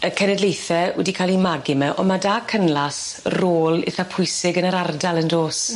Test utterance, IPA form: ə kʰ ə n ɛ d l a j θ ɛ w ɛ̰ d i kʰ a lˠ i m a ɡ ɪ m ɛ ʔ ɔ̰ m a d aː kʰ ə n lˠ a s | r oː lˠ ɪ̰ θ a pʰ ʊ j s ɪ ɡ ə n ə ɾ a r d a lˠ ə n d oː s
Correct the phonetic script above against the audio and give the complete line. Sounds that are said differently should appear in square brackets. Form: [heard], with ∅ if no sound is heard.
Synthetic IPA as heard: ə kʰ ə n ɛ d l [e] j θ ɛ w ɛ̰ d i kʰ a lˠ i m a ɡ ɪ m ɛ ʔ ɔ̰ m a d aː kʰ ə n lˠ a s | r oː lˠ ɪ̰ θ a pʰ ʊ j s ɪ ɡ ə n ə ɾ a r d a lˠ ə n d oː s

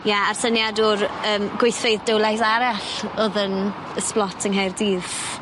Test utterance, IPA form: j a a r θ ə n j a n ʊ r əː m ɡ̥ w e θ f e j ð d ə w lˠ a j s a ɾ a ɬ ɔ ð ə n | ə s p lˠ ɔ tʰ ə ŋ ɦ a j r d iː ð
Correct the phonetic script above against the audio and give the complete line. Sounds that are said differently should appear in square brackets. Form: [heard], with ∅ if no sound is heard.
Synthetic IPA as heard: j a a r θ ə n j a [d] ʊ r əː m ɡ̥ w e θ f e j ð d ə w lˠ a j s a ɾ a ɬ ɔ ð ə n | ə s p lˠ ɔ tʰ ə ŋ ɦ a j r d iː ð

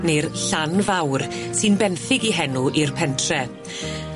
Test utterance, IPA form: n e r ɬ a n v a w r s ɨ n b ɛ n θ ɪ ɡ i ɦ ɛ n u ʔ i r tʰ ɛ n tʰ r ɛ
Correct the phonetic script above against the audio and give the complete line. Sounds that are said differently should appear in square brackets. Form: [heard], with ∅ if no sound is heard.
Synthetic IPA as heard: n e r ɬ a n v a w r s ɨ n b ɛ n θ ɪ ɡ i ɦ ɛ n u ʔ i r [pʰ] ɛ n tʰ r ɛ

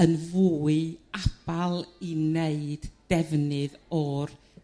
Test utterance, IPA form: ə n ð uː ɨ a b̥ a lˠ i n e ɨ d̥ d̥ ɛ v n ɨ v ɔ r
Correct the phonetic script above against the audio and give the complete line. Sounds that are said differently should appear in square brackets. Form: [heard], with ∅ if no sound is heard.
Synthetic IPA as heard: ə n [v] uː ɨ a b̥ a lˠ i n e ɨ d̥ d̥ ɛ v n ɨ [ð] ɔ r

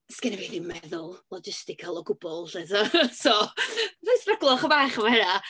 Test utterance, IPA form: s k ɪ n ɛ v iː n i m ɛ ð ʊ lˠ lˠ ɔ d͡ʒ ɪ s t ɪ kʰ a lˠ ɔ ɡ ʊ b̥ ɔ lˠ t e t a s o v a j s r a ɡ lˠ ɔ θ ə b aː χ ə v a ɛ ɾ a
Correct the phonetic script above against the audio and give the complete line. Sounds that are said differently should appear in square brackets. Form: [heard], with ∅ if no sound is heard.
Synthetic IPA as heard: s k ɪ n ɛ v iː n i m ɛ ð ʊ lˠ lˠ ɔ d͡ʒ ɪ s t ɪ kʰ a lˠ ɔ ɡ ʊ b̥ ɔ lˠ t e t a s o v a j s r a ɡ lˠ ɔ [χ] ə b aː χ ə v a ɛ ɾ a

